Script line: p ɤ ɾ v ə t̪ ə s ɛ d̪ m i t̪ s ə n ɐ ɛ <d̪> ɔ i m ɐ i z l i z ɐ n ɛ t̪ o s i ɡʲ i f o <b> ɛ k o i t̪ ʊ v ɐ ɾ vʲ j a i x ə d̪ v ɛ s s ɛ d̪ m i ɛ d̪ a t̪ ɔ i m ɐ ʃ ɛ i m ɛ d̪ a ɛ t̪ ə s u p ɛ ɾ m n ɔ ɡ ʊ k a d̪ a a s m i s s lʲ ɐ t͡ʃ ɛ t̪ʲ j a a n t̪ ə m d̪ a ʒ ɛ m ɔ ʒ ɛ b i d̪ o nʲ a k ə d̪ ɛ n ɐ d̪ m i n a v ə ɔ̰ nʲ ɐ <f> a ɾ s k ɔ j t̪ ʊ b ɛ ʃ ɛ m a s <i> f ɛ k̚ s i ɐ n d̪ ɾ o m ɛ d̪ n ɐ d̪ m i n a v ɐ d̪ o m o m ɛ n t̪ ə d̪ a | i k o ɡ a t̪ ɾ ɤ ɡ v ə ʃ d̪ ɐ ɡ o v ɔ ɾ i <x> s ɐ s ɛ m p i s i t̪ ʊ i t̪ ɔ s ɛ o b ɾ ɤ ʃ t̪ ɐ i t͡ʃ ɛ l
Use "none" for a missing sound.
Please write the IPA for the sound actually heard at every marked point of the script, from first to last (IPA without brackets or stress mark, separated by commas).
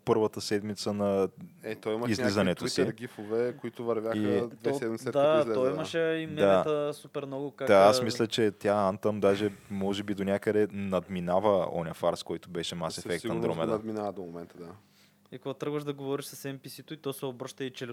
t̪, v, f, ɛ, ʃ